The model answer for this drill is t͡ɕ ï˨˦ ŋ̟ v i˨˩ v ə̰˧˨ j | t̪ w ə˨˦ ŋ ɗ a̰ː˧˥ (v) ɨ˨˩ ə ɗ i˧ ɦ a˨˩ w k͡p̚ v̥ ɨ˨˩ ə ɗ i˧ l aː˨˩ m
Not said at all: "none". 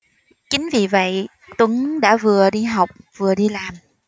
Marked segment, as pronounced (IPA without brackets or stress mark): v